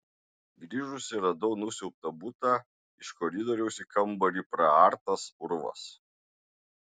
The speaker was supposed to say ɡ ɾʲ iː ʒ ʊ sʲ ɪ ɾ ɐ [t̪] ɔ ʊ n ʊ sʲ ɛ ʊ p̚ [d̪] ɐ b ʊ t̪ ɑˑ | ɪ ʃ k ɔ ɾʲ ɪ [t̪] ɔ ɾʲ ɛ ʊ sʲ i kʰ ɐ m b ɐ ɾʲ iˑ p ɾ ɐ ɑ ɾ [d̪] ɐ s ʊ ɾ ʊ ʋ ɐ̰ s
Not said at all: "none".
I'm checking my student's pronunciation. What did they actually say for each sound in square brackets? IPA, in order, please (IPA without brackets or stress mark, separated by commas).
d̪, t̪, d̪, t̪